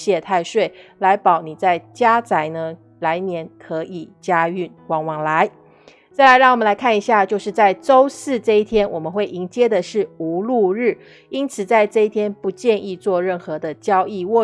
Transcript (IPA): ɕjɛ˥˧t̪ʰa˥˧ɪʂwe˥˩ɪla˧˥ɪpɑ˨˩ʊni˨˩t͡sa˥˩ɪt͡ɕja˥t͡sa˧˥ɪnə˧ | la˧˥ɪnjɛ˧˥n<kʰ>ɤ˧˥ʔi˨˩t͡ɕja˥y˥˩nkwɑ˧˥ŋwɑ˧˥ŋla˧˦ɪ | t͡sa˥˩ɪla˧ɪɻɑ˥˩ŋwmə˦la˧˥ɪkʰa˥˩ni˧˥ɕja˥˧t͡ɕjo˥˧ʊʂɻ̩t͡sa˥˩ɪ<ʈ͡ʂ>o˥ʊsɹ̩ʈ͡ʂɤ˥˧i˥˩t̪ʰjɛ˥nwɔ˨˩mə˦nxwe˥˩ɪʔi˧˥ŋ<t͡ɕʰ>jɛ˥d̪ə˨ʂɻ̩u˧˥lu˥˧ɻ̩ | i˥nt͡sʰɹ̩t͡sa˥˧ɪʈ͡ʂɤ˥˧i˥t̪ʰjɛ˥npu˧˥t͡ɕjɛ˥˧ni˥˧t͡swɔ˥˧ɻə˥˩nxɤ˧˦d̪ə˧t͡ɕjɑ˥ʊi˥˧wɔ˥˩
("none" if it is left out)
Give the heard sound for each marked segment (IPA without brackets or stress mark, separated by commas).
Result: kʰ, ʈ͡ʂ, t͡ɕ